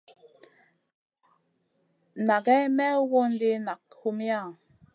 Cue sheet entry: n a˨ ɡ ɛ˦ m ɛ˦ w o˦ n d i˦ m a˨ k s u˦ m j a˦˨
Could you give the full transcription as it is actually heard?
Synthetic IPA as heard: n a˨ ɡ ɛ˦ m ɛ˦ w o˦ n d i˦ n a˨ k h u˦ m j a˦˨

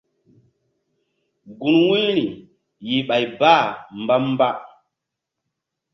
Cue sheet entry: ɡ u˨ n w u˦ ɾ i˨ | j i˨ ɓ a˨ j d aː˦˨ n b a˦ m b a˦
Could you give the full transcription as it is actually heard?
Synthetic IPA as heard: ɡ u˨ n w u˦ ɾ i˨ | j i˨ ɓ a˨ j b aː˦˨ m b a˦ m b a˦

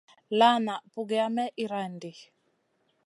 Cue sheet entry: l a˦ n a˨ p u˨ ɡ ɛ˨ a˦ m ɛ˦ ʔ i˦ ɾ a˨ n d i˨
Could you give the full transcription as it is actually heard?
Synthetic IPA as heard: l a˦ n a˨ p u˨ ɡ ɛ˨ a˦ m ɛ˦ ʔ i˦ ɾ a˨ n d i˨

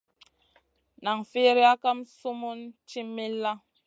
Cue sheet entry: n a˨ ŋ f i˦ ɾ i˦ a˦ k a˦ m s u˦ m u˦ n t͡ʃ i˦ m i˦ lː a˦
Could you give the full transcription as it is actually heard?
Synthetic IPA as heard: n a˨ ŋ f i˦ ɾ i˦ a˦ k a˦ m s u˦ m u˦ n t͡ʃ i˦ m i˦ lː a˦

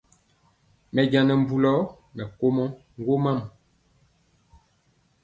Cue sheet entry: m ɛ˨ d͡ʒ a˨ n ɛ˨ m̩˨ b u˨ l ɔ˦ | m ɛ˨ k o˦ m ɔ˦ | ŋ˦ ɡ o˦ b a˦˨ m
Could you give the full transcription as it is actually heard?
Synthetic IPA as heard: m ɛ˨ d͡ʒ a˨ n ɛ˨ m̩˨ b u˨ l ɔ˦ | m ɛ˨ k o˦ m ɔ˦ | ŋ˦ ɡ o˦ m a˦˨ m

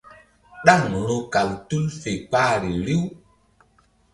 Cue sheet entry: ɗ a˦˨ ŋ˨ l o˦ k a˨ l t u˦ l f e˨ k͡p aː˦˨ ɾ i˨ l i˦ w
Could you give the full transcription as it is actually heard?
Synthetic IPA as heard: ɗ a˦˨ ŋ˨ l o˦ k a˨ l t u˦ l f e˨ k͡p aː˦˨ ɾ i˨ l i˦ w

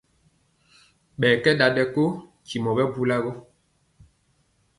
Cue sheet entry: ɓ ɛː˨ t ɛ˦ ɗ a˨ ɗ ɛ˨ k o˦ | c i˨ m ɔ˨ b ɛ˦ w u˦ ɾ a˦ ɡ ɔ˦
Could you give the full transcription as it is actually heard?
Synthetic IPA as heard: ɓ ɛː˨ k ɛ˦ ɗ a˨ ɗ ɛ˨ k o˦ | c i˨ m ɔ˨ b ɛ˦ b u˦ l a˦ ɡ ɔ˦

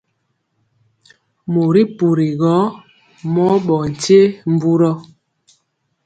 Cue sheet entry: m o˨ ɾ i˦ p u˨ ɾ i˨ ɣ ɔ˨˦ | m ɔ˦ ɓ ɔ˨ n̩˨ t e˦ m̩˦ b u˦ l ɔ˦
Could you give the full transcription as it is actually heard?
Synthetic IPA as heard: m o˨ ɾ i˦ p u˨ ɾ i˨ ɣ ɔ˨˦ | m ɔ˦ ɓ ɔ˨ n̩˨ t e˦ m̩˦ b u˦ ɾ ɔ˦

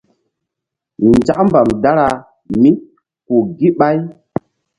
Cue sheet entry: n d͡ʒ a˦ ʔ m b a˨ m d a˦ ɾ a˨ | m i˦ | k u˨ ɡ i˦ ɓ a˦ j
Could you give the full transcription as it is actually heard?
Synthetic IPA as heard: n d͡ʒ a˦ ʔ m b a˨ m d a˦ ɾ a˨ | m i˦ | k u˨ ɡ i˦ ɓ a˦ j

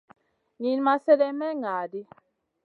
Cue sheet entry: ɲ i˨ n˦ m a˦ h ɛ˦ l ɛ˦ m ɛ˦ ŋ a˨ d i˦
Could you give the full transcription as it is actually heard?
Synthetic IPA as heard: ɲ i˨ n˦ m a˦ s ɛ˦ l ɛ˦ m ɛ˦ ŋ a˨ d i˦

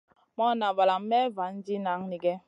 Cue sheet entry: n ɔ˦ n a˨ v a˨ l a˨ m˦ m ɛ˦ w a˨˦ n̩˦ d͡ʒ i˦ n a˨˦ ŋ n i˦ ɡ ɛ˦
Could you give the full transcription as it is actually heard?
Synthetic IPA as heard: m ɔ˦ n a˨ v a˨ l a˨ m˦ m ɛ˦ v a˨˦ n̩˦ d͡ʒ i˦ n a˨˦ ŋ n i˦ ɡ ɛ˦

